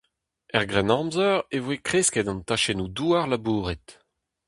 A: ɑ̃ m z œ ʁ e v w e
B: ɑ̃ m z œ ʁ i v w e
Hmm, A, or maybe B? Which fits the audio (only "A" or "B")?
A